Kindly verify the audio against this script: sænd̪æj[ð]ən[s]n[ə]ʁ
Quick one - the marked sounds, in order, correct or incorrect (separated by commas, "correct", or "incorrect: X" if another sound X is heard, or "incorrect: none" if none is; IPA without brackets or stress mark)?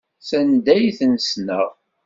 incorrect: θ, correct, correct